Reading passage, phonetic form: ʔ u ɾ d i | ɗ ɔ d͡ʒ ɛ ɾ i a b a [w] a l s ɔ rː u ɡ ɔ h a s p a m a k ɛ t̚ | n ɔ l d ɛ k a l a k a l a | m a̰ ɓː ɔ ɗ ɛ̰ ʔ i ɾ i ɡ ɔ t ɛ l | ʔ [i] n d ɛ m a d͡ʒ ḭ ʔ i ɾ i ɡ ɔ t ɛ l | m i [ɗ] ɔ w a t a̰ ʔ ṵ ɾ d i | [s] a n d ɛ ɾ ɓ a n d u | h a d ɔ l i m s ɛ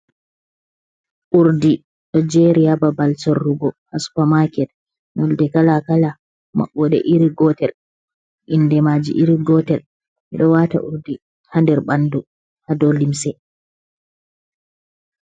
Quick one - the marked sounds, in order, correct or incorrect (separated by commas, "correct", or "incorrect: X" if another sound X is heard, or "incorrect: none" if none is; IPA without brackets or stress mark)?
incorrect: b, correct, correct, incorrect: h